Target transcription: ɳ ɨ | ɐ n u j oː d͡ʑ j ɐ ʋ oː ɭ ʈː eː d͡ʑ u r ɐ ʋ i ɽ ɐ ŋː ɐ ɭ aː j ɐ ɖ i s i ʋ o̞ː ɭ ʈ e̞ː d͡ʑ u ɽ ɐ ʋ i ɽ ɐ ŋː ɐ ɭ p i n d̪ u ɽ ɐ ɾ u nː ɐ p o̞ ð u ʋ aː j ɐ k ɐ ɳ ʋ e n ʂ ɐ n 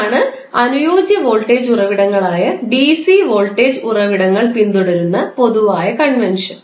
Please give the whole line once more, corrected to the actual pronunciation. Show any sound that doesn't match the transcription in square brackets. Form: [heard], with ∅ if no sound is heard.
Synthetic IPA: ɳ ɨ | ɐ n u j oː d͡ʑ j ɐ ʋ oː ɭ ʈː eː d͡ʑ u r ɐ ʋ i ɽ ɐ ŋː ɐ ɭ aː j ɐ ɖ i s i ʋ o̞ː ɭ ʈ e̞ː d͡ʑ u [r] ɐ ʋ i ɽ ɐ ŋː ɐ ɭ p i n d̪ u ɽ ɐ ɾ u nː ɐ p o̞ ð u ʋ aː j ɐ k ɐ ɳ ʋ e n ʂ ɐ n